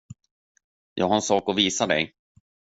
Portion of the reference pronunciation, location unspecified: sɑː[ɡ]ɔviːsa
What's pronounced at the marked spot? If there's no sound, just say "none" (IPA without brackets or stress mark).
k